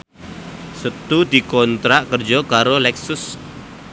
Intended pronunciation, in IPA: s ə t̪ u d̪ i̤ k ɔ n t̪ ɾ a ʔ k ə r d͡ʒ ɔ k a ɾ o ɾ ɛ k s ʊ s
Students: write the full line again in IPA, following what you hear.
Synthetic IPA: s ə t̪ u d̪ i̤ k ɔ n t̪ ɾ a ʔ k ə r d͡ʒ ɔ k a ɾ o l ɛ k s ʊ s